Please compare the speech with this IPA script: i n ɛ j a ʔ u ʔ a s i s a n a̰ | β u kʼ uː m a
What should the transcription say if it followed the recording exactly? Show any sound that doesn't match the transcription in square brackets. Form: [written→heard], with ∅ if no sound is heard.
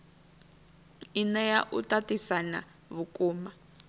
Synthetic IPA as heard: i n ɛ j a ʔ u [ʔ→t] a [s→t] i s a n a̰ | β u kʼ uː m a